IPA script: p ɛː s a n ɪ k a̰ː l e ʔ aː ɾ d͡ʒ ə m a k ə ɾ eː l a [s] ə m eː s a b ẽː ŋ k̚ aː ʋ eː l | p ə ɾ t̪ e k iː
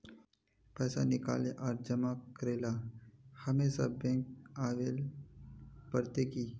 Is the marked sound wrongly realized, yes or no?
yes